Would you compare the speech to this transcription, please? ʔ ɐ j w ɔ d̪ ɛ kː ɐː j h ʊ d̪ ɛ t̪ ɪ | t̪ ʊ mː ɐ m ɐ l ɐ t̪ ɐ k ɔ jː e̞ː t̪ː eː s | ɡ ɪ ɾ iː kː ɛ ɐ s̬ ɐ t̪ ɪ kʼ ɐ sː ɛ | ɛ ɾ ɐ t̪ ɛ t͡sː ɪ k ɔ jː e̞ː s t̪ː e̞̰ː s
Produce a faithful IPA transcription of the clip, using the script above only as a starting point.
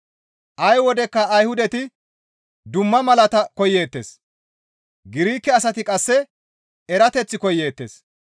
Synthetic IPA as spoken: ʔ ɐ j w ɔ d̪ ɛ kː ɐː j h ʊ d̪ ɛ t̪ ɪ | d̪ ʊ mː ɐ m ɐ l ɐ t̪ ɐ k ɔ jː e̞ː t̪ː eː s | ɡ ɪ ɾ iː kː ɛ ɐ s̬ ɐ t̪ ɪ kʼ ɐ sː ɛ | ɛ ɾ ɐ t̪ ɛ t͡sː ɪ k ɔ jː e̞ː t̪ː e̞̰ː s